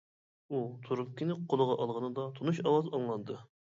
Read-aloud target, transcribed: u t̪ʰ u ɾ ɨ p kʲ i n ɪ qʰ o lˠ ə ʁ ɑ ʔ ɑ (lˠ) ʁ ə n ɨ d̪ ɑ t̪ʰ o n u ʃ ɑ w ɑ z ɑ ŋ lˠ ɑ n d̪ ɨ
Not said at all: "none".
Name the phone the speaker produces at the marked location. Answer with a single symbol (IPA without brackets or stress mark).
lˠ